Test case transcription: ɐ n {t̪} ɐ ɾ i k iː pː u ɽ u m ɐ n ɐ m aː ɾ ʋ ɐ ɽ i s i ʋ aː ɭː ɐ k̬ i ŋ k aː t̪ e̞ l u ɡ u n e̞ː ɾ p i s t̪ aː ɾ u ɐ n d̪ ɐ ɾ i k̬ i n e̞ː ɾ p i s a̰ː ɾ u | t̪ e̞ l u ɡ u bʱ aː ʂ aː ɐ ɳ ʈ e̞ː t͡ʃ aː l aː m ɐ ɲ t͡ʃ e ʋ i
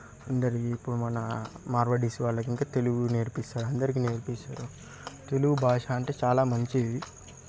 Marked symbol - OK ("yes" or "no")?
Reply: no